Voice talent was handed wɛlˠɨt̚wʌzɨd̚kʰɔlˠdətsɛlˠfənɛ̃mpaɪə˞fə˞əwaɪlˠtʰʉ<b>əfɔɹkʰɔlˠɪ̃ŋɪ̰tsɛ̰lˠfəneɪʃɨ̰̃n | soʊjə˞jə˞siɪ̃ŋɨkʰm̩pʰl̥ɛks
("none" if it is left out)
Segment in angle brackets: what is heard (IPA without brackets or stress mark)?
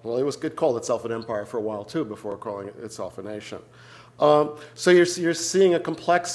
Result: b